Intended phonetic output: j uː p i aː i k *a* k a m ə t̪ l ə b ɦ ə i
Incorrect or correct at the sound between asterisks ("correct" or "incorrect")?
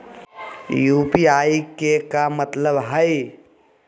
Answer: incorrect